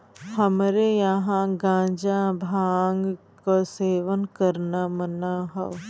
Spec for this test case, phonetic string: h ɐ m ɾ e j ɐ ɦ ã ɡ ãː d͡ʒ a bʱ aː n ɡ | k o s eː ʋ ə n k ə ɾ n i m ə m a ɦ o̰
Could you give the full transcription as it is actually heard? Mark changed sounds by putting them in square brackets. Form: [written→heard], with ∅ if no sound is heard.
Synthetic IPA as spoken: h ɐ m ɾ e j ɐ ɦ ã ɡ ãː d͡ʒ a bʱ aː [n→ŋ] ɡ | k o s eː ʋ ə n k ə ɾ n [i→a] m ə [m→n] a ɦ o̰